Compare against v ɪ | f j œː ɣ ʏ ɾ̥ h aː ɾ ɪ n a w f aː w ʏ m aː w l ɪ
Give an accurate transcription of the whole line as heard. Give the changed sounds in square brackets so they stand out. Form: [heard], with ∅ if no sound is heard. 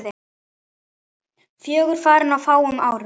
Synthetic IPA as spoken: [ð] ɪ | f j œː ɣ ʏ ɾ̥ [f] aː ɾ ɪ n a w f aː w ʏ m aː w [ɾ] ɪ

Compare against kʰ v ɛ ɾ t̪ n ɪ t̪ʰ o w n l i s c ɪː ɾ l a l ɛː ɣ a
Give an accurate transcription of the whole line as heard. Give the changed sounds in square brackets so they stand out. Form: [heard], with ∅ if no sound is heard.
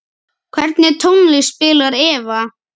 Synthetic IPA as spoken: kʰ v ɛ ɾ t̪ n ɪ t̪ʰ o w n l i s [p] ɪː [∅] l a [ɾ] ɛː [v] a

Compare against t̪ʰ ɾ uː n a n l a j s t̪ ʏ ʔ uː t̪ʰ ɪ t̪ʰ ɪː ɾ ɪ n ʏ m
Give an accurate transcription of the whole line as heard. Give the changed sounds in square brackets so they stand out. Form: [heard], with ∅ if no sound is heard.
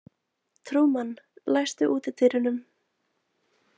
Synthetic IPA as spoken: t̪ʰ ɾ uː [m] a n l a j s t̪ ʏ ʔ uː [t̪] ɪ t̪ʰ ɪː ɾ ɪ n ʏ m

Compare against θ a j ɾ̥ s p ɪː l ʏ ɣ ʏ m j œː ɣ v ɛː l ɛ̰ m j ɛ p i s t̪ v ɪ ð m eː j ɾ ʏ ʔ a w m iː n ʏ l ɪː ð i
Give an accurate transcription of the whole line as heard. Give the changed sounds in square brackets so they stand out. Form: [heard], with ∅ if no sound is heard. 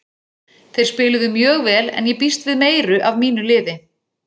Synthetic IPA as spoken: θ [e] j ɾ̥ s p ɪː l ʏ [ð] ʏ m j œː ɣ v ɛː l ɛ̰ [n] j ɛ p i s t̪ v ɪ ð m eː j ɾ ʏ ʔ a [v] m iː n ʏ l ɪː ð [ɪ]

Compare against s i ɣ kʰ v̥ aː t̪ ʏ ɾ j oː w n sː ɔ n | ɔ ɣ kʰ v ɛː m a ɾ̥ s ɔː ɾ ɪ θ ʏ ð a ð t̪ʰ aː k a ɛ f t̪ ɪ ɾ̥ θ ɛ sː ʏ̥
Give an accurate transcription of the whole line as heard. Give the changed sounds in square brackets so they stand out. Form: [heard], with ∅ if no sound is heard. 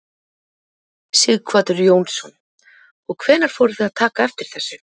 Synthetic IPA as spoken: s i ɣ kʰ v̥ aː t̪ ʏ ɾ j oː w n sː ɔ n | ɔ ɣ kʰ v ɛː [n] a ɾ̥ [f] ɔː ɾ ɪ θ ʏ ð a ð t̪ʰ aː k a ɛ f t̪ ɪ ɾ̥ θ ɛ sː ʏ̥

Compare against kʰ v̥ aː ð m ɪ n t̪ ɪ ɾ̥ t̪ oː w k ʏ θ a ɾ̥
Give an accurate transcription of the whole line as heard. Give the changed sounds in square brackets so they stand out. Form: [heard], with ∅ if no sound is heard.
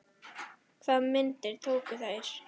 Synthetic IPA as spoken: kʰ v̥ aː ð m ɪ n t̪ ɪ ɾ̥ [t̪ʰ] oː w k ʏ θ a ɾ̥

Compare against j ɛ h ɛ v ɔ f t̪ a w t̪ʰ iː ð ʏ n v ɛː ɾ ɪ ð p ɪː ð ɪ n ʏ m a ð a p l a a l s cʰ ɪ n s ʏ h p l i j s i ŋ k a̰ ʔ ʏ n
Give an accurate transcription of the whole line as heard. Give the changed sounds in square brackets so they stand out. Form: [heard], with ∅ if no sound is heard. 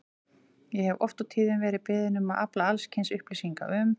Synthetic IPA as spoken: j ɛ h ɛ v ɔ f t̪ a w t̪ʰ iː ð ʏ n v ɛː ɾ ɪ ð p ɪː ð ɪ n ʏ m a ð a p l a a l s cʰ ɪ n s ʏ h p l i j s i ŋ k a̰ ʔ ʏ [m]

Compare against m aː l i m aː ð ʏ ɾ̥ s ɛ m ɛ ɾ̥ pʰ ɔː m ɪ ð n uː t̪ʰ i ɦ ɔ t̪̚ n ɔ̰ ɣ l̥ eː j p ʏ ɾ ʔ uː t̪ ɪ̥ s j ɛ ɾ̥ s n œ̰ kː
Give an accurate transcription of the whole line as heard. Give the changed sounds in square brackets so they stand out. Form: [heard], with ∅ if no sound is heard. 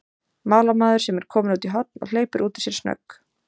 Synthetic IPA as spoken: m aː l [a] m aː ð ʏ ɾ̥ s ɛ m ɛ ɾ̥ [kʰ] ɔː m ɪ [∅] n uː [t̪] i ɦ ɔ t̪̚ n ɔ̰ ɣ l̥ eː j p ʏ ɾ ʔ uː t̪ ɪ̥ s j ɛ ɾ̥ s n œ̰ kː

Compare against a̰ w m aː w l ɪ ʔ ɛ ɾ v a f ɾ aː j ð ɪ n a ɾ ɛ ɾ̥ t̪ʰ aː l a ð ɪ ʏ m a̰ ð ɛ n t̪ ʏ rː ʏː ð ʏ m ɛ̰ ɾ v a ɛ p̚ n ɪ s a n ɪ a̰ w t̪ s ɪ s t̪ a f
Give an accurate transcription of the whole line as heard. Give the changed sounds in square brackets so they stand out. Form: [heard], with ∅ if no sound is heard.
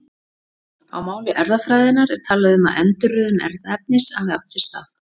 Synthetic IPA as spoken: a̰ w m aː w l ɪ ʔ ɛ ɾ [ð] a f ɾ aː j ð ɪ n a ɾ ɛ ɾ̥ t̪ʰ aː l a ð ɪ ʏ m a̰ ð ɛ n t̪ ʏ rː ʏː ð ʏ m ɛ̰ ɾ [ð] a ɛ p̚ n ɪ s a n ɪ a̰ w t̪ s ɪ s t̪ a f

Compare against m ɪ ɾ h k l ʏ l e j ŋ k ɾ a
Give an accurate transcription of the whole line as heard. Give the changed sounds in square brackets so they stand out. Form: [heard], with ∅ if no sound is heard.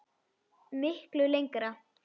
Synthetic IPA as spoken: m ɪ [∅] h k l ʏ l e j ŋ k ɾ a

